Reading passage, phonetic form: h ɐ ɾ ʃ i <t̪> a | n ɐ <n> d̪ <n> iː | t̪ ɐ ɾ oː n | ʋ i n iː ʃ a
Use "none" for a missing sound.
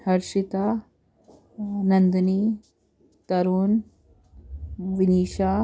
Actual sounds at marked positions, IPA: t̪, n, n

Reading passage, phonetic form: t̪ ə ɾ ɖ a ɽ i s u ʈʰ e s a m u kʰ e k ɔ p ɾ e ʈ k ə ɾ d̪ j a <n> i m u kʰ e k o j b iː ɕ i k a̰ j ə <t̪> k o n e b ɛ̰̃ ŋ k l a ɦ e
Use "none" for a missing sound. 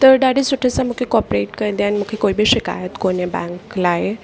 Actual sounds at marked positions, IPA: n, t̪

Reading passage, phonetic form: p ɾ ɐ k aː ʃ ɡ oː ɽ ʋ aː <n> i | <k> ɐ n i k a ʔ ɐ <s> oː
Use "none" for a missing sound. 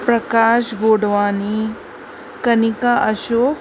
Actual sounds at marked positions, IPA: n, k, ʃ

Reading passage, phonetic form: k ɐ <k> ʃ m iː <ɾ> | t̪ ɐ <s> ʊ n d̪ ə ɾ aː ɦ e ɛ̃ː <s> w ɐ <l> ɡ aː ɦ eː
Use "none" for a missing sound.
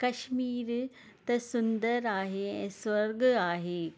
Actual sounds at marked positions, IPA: none, ɾ, s, s, ɾ

